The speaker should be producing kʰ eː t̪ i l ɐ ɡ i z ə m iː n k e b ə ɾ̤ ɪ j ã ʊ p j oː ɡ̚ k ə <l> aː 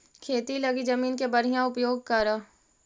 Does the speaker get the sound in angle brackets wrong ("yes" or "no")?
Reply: yes